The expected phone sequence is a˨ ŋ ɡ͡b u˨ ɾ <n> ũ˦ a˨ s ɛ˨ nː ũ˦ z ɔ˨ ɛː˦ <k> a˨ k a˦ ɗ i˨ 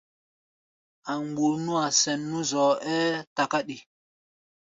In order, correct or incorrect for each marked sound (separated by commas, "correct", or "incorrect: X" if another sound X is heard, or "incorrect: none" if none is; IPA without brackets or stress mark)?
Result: correct, incorrect: t